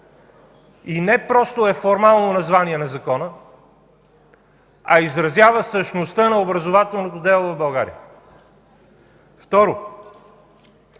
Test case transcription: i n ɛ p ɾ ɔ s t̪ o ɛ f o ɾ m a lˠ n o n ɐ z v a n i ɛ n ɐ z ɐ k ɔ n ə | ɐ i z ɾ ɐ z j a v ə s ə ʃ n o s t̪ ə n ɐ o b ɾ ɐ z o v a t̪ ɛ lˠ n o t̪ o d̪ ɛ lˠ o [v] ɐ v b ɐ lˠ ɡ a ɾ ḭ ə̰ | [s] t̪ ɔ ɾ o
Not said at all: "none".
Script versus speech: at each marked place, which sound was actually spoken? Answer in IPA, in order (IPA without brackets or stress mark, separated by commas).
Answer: v, f